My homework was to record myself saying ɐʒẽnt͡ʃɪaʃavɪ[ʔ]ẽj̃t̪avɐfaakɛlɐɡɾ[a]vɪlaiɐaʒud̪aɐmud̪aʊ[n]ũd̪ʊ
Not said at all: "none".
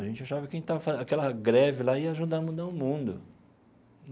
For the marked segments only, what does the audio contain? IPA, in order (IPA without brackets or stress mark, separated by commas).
k, ɛ, m